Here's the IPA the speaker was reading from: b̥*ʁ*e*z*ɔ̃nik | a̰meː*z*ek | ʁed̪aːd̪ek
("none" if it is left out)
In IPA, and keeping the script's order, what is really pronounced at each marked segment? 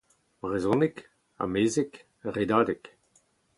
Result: ʁ, z, z

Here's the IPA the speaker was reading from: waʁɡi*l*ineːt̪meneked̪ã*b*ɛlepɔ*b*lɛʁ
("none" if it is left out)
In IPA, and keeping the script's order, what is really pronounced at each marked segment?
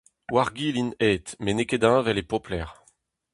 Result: l, v, p

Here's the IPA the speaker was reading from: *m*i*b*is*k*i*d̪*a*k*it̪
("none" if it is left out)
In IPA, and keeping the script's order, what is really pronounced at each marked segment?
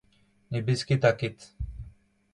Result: n, b, k, t̪, k

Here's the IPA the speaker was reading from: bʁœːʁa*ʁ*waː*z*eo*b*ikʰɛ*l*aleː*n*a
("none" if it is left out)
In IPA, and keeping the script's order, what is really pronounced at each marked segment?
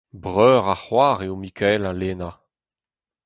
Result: χ, ʁ, m, l, n

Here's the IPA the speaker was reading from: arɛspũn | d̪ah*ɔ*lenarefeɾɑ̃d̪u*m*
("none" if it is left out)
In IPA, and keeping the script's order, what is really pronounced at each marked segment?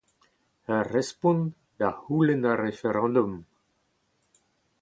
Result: u, m

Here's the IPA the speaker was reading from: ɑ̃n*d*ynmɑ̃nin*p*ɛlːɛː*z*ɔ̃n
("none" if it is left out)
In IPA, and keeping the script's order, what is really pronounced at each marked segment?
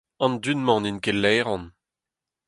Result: d, k, ʁ

